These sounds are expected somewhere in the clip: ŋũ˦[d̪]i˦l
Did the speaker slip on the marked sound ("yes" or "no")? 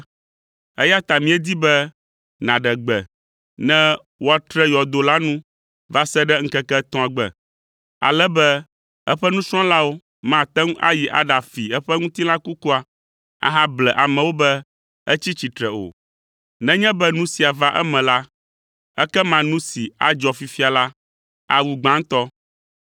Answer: yes